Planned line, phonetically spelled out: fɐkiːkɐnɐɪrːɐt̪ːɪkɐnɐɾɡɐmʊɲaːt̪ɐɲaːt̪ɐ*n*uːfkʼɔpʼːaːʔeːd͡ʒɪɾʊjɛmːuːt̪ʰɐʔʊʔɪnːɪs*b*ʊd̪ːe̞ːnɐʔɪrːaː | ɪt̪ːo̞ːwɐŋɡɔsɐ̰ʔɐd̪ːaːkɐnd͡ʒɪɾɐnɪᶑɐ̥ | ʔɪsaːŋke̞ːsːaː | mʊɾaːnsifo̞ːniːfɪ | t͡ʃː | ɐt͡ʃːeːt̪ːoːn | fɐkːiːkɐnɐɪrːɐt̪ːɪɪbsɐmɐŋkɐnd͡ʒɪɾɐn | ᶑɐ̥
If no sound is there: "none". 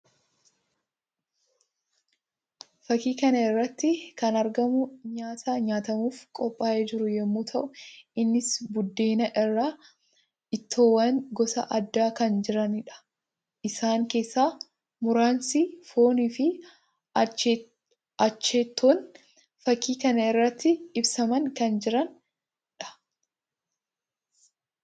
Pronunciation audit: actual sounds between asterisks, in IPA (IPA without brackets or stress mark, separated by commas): m, b